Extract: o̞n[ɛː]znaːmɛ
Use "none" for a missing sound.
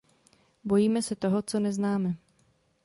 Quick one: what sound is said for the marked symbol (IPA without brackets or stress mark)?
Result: ɛ